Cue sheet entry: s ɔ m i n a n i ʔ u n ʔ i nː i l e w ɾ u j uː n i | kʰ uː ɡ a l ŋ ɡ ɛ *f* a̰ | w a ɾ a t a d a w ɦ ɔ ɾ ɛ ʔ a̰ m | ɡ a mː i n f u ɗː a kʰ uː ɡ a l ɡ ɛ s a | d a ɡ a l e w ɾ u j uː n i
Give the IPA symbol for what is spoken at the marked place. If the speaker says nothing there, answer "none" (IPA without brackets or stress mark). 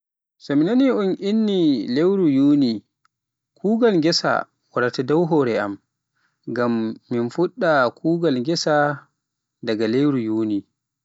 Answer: s